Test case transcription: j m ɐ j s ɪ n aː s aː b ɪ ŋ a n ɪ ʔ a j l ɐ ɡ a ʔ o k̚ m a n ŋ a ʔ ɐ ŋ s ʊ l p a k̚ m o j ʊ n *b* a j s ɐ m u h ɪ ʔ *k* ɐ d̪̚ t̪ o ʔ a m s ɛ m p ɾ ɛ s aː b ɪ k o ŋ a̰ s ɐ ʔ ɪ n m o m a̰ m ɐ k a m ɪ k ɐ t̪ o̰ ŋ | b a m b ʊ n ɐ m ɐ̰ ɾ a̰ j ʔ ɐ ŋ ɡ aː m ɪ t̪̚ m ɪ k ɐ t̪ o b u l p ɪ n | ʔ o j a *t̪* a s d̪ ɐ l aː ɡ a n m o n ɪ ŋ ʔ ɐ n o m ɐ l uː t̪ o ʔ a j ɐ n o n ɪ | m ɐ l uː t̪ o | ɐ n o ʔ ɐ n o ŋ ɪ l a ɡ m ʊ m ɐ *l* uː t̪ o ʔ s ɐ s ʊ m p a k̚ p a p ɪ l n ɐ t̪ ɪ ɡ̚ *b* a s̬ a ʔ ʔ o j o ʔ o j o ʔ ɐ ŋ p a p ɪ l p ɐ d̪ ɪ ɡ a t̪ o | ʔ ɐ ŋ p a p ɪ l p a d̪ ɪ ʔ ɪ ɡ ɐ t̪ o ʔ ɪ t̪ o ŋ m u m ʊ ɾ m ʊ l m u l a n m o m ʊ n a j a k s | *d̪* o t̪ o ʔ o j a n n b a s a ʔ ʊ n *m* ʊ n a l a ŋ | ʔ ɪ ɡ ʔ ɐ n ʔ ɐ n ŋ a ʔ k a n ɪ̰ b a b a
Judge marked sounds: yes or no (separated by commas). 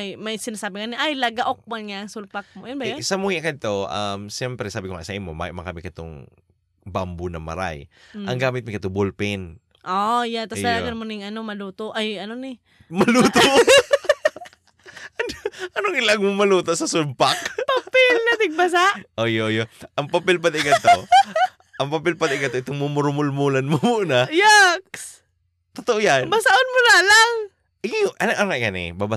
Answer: yes, yes, yes, yes, yes, no, yes